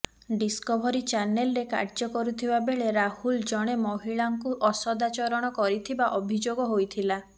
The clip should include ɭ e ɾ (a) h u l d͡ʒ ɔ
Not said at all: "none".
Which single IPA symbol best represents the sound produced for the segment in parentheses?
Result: a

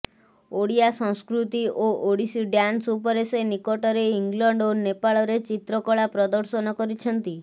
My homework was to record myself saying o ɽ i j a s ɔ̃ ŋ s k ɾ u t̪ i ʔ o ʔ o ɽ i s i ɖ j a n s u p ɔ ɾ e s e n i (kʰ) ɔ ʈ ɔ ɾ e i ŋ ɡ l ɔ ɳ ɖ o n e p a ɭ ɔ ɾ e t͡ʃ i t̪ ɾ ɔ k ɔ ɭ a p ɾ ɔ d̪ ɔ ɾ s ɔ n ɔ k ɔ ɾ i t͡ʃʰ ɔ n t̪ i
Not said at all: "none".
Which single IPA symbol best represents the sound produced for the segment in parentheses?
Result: k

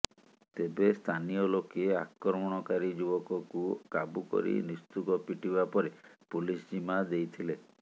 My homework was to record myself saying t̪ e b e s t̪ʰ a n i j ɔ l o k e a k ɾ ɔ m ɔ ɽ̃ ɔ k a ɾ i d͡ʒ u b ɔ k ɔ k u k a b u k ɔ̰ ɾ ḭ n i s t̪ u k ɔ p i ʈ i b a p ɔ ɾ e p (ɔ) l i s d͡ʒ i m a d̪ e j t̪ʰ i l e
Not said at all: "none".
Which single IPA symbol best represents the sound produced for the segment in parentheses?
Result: u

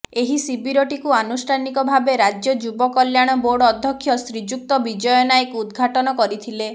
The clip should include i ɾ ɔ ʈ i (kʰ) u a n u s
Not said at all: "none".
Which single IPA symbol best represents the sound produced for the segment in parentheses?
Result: k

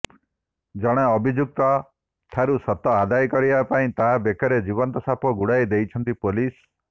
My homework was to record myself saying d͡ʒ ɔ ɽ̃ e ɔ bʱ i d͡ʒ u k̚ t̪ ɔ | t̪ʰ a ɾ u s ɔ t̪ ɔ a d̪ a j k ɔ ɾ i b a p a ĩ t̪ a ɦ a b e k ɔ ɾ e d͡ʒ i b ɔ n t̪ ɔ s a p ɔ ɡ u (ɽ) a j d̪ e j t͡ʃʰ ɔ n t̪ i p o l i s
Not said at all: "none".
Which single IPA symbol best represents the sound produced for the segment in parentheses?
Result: ɽ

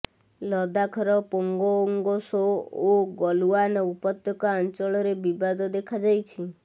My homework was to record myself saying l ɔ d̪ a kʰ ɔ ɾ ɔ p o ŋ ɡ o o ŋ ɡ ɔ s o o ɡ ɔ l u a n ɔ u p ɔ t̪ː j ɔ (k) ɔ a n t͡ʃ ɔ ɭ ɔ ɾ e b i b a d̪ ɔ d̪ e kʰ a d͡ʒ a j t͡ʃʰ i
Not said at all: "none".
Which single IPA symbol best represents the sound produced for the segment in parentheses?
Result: k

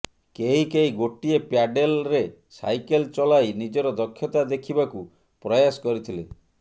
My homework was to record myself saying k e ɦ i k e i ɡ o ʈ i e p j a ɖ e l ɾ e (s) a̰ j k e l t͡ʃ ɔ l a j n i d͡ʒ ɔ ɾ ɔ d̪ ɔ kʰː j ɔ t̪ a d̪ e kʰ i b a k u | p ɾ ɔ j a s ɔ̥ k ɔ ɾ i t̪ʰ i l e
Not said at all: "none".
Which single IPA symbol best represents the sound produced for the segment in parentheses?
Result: s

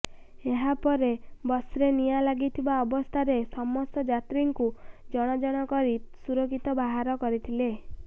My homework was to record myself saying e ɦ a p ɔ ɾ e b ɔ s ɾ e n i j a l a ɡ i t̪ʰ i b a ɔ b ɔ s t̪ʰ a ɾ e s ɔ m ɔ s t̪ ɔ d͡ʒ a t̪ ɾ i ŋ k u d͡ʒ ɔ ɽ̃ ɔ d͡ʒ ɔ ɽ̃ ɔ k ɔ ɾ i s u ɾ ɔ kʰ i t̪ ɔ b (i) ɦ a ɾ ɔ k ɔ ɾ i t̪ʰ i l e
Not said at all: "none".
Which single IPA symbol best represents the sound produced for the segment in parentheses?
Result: a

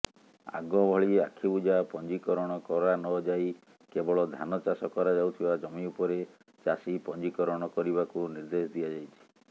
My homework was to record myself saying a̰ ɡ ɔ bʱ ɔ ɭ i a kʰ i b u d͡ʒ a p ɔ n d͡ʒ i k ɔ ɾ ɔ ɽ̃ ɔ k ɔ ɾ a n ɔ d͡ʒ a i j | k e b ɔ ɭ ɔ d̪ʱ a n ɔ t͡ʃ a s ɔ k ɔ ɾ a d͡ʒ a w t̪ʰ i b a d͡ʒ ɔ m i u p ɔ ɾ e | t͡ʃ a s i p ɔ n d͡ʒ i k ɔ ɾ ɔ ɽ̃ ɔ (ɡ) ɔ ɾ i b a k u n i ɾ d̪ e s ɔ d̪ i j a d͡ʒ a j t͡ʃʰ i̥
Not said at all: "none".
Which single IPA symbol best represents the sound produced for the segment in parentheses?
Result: k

